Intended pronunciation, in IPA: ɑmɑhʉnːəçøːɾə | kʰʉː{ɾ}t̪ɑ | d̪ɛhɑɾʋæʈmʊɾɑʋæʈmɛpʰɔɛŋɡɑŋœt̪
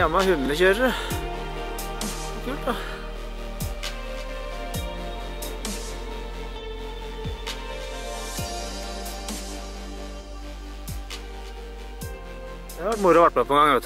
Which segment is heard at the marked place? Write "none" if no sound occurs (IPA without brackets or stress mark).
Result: l